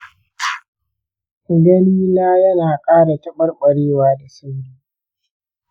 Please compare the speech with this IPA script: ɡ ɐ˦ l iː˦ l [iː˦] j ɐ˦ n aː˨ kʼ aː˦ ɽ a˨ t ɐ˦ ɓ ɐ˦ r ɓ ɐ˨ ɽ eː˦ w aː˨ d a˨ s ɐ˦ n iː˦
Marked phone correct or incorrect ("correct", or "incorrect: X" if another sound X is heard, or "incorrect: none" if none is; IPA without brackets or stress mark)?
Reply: incorrect: aː˦